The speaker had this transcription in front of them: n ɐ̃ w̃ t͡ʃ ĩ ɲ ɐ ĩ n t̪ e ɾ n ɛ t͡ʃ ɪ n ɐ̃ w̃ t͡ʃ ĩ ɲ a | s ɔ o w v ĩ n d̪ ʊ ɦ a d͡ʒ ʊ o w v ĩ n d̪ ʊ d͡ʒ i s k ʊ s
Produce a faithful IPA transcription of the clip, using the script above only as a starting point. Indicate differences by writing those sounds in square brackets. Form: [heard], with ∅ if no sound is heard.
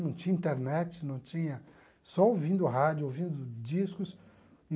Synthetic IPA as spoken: n ɐ̃ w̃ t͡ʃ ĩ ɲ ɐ ĩ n t̪ e ɾ n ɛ t͡ʃ ɪ n ɐ̃ w̃ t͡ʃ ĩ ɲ [ɐ] | s ɔ o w v ĩ n d̪ ʊ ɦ a d͡ʒ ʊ o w v ĩ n d̪ ʊ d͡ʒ i s k ʊ s